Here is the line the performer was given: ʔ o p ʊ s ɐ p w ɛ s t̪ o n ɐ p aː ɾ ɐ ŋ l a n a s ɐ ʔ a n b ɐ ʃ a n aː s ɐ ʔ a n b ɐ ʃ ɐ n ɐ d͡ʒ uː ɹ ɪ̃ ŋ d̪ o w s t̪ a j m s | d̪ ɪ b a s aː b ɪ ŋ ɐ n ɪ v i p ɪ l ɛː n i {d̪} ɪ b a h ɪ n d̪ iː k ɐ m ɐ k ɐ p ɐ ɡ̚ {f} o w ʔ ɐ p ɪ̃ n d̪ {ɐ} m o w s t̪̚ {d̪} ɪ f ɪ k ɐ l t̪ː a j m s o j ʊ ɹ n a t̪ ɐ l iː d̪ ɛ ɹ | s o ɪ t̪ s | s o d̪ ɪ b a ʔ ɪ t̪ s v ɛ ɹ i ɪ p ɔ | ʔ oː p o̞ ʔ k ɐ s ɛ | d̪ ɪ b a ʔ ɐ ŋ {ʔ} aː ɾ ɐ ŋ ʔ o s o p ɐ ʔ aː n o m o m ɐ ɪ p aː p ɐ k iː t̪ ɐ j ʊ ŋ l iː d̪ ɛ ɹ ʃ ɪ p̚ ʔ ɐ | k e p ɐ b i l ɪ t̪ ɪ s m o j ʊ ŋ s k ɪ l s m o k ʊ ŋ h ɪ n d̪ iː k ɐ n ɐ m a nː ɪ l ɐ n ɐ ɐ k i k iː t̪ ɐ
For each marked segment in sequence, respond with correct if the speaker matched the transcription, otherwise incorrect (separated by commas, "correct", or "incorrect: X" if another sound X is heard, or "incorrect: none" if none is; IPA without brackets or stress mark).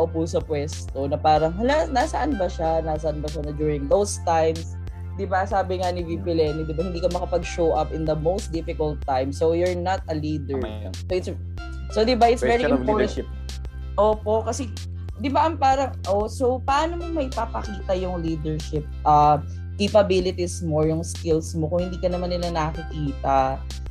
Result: correct, incorrect: ʃ, correct, correct, incorrect: p